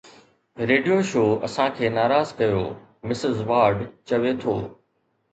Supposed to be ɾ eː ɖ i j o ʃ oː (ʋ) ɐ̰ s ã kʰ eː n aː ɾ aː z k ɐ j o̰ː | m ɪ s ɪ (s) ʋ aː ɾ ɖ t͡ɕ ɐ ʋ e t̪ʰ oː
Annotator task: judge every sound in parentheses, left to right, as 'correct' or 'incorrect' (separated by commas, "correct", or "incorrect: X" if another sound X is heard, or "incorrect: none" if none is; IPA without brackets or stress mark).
incorrect: none, incorrect: z